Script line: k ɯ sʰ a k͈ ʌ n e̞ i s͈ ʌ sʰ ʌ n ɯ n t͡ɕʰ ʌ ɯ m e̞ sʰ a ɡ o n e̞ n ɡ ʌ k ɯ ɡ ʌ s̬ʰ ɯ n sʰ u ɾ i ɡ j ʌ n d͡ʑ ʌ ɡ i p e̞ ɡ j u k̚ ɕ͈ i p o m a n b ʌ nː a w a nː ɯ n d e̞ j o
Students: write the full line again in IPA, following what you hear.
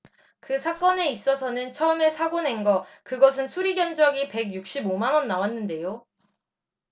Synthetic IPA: k ɯ sʰ a k͈ ʌ n e̞ i s͈ ʌ sʰ ʌ n ɯ n t͡ɕʰ ʌ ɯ m e̞ sʰ a ɡ o n e̞ n ɡ ʌ k ɯ ɡ ʌ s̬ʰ ɯ n sʰ u ɾ i ɡ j ʌ n d͡ʑ ʌ ɡ i p e̞ ɡ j u k̚ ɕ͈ i b o m a n w ʌ nː a w a nː ɯ n d e̞ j o